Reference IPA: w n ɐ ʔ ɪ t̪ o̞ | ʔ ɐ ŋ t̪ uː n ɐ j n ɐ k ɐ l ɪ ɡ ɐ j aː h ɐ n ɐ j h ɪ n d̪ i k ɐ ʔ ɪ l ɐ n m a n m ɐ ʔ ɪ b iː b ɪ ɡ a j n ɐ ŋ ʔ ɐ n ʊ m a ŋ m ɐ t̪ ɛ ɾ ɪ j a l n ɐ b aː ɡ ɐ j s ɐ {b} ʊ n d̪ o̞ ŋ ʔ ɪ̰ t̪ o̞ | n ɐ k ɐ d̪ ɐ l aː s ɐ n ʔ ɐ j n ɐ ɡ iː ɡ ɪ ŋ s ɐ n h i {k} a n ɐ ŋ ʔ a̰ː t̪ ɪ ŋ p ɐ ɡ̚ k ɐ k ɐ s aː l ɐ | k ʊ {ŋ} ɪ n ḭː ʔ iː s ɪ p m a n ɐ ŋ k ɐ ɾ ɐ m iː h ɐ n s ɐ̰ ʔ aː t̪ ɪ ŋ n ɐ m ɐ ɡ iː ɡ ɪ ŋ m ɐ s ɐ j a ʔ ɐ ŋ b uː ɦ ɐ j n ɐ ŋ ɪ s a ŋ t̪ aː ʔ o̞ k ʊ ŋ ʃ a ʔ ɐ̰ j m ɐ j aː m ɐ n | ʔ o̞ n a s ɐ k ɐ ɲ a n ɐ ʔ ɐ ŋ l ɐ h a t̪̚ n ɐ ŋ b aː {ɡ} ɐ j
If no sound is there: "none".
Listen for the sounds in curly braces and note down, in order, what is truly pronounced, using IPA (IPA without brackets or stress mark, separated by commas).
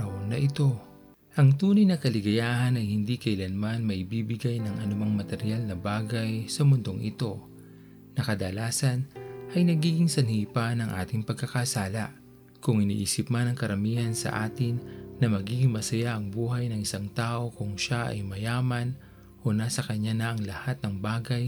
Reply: m, p, ŋ, ɡ